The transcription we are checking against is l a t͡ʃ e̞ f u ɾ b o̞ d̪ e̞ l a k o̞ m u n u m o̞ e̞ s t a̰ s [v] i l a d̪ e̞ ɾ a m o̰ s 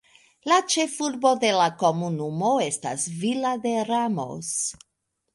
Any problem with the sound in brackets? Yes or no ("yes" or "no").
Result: no